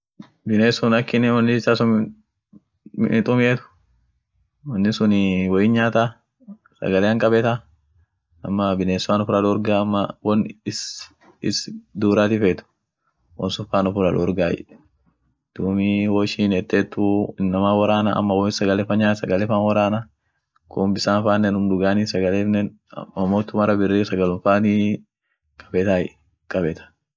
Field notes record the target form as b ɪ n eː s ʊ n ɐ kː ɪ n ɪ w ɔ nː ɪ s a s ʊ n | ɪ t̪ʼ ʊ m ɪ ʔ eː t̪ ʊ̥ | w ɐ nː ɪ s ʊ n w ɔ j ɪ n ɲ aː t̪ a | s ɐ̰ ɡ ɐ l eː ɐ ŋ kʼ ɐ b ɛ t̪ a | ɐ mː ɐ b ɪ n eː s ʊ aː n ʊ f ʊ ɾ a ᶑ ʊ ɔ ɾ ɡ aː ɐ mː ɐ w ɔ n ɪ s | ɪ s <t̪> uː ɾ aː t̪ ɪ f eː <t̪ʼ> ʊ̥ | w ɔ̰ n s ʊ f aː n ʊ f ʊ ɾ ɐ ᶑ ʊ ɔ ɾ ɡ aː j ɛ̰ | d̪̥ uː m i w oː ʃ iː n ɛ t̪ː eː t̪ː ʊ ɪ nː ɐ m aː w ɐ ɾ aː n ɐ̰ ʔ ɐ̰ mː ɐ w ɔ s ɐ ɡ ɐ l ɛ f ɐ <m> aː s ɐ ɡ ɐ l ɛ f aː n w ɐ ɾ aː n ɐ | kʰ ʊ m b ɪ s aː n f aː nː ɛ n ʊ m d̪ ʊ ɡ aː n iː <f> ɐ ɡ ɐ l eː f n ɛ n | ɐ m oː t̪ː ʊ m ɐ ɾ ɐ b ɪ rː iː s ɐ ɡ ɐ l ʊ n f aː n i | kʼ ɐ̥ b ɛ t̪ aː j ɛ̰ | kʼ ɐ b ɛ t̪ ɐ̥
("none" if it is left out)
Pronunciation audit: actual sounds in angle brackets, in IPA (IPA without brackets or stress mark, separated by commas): d̪, t̪, ɲ, s